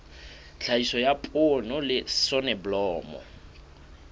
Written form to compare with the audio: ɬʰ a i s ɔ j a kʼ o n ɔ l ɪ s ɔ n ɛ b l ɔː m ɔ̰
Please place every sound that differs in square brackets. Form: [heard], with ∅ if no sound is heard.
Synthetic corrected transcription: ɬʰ a i s ɔ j a [pʼ] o n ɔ l ɪ s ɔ n ɛ b l ɔː m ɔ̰